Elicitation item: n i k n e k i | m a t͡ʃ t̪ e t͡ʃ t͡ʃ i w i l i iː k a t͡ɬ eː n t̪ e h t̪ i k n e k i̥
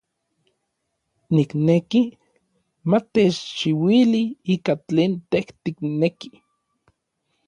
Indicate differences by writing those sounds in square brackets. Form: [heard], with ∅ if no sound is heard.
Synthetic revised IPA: n i k n e k i | m a [∅] t̪ e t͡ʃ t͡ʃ i w i l i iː k a t͡ɬ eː n t̪ e h t̪ i k n e k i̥

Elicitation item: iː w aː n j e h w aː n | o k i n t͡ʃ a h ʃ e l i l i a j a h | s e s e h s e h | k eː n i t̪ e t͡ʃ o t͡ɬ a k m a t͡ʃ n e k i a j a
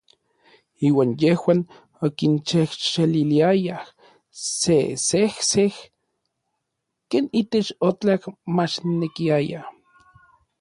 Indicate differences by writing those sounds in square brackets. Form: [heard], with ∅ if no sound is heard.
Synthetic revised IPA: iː w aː n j e h w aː n | o k i n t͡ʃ [e] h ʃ e l i l i a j a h | s e s e h s e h | k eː n i t̪ e t͡ʃ o t͡ɬ a k m a t͡ʃ n e k i a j a

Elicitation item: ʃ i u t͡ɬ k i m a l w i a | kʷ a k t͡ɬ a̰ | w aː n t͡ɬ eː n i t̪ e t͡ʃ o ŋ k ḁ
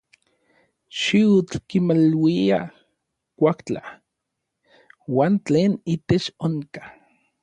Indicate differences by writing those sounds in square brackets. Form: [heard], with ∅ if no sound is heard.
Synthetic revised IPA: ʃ i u t͡ɬ k i m a l w i a | kʷ a k t͡ɬ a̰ | w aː n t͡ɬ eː n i t̪ e t͡ʃ o ŋ k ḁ

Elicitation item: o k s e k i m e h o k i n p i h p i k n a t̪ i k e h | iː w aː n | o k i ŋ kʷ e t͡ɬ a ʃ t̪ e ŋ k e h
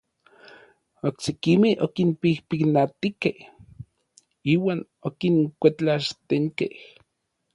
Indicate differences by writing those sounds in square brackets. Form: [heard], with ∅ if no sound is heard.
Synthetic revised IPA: o k s e k i m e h o k i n p i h p i k n a t̪ i k e h | iː w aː n | o k i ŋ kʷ e t͡ɬ a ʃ t̪ e ŋ k e h

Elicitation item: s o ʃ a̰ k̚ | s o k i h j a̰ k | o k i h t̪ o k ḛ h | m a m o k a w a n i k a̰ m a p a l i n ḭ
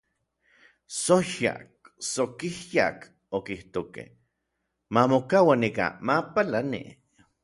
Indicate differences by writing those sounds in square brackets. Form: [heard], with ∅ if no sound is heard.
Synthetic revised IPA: s o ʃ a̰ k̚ | s o k i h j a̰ k | o k i h t̪ o k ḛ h | m a m o k a w a n i k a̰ m a p a l [a] n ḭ

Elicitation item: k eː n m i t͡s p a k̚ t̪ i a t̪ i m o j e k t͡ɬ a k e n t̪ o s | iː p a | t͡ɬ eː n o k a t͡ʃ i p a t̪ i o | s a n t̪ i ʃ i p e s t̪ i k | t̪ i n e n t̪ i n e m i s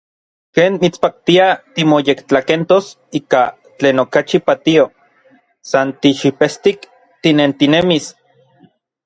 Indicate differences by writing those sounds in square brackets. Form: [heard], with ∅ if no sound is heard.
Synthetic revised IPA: k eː n m i t͡s p a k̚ t̪ i a t̪ i m o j e k t͡ɬ a k e n t̪ o s | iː [k] a | t͡ɬ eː n o k a t͡ʃ i p a t̪ i o | s a n t̪ i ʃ i p e s t̪ i k | t̪ i n e n t̪ i n e m i s

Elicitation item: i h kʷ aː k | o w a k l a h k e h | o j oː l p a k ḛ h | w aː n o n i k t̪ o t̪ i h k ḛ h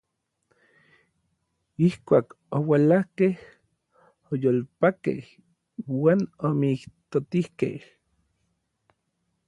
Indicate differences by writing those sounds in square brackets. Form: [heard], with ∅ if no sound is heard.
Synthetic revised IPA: i h kʷ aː k | o w a [∅] l a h k e h | o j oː l p a k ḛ h | w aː n o [m] i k t̪ o t̪ i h k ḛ h

